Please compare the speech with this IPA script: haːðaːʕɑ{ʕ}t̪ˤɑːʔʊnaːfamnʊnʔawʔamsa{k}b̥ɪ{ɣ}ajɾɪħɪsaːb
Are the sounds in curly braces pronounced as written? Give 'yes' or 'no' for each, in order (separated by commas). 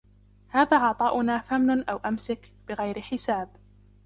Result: yes, yes, yes